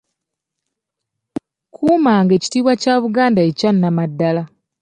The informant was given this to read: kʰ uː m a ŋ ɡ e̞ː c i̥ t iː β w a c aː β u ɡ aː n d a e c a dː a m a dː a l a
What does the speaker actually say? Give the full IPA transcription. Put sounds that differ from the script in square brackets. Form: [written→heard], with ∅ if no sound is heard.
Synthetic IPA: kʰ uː m a ŋ ɡ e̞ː c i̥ t iː β w a c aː β u ɡ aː n d a e c a [dː→nː] a m a dː a l a